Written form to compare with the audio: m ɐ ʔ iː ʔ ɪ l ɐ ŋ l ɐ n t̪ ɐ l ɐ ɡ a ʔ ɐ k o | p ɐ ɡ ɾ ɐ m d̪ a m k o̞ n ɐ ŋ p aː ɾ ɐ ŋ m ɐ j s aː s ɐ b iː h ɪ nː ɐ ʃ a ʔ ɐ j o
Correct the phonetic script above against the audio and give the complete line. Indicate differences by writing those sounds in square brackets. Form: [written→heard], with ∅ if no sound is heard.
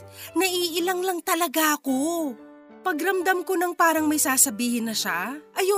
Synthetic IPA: [m→n] ɐ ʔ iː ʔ ɪ l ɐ ŋ l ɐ [n→ŋ] t̪ ɐ l ɐ ɡ a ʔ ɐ k o | p ɐ ɡ ɾ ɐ m d̪ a m k o̞ n ɐ ŋ p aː ɾ ɐ ŋ m ɐ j s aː s ɐ b iː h ɪ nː ɐ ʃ a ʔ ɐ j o